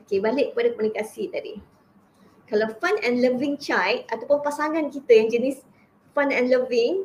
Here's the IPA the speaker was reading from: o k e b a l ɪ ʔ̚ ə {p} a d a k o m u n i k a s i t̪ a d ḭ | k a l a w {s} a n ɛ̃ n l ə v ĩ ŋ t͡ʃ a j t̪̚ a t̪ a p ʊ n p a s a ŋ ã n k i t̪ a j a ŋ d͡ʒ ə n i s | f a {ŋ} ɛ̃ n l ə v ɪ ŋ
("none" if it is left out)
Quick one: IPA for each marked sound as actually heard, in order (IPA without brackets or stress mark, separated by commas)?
p, f, n